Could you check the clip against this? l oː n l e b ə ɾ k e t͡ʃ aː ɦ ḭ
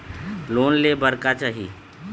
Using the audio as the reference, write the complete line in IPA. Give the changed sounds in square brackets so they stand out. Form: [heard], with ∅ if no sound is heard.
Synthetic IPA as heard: l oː n l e b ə ɾ k [a] t͡ʃ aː ɦ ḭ